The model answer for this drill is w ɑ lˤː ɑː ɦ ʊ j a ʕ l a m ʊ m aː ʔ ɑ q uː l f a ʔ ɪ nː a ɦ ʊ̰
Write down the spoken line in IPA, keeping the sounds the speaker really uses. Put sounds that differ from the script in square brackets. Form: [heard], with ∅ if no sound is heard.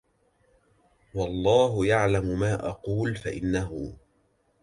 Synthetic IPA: w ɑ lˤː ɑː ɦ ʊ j a ʕ l a m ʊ m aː ʔ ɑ q uː l f a ʔ ɪ nː a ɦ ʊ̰

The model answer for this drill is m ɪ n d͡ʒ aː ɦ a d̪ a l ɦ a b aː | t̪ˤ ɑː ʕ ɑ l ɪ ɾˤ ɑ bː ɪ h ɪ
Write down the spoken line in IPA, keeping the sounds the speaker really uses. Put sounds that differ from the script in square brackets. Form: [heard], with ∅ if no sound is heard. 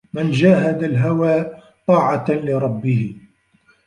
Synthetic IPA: m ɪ n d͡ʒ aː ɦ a d̪ a l ɦ a [w] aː | t̪ˤ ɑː ʕ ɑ l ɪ ɾˤ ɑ bː ɪ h ɪ

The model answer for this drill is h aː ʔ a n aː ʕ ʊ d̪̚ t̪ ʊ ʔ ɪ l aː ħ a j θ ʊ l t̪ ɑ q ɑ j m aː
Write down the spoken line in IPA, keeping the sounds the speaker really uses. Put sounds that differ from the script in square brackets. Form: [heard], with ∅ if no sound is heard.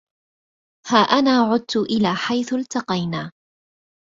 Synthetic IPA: h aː ʔ a n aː ʕ ʊ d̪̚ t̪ ʊ ʔ ɪ l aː ħ a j θ ʊ l t̪ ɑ q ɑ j [n] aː

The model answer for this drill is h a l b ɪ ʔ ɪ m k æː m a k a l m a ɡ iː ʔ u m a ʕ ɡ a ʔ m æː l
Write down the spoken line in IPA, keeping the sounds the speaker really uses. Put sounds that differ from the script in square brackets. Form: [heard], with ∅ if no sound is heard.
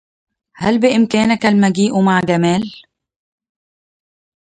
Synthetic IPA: h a l b ɪ ʔ ɪ m k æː [n] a k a l m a ɡ iː ʔ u m a ʕ ɡ a [∅] m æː l

